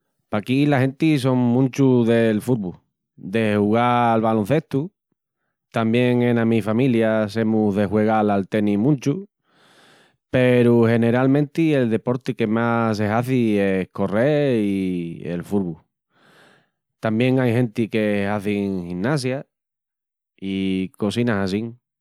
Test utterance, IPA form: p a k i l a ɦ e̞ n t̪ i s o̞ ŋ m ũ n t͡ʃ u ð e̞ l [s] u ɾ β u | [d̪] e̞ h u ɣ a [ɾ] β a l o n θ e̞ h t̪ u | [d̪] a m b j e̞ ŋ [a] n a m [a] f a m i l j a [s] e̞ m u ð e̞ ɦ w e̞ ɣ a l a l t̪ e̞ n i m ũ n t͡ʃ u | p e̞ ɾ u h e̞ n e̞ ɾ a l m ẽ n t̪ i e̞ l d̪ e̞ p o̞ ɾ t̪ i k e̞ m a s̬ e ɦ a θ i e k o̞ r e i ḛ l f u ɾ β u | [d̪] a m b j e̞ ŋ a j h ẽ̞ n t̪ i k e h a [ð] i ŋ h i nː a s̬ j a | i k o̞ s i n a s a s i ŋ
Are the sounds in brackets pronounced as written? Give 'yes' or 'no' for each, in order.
no, yes, no, no, no, no, yes, no, no

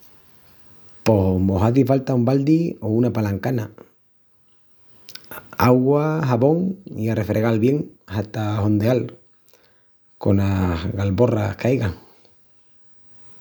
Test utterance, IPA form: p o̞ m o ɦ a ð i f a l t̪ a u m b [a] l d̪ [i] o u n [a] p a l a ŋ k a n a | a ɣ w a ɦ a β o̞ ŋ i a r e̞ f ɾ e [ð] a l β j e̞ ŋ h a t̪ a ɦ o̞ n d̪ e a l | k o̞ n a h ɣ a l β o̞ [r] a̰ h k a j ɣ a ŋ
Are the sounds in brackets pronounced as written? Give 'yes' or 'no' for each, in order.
yes, yes, yes, no, yes

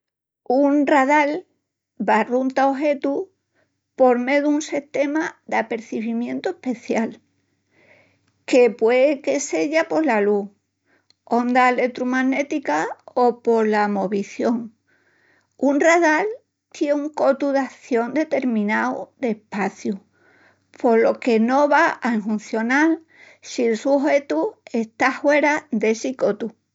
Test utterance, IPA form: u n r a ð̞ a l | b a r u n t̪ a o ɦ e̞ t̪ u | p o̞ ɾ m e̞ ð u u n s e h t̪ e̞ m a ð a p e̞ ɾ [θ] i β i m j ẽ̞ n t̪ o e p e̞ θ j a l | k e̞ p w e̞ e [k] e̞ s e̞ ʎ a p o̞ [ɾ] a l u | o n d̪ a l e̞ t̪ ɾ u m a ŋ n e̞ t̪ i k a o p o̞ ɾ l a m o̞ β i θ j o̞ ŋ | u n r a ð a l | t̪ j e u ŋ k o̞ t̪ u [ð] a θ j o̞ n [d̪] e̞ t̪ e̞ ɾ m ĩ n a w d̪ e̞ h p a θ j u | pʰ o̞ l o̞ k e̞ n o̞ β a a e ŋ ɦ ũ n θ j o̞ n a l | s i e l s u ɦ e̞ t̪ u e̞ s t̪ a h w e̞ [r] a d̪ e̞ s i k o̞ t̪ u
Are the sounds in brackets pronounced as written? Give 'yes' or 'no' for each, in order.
yes, yes, no, yes, yes, no

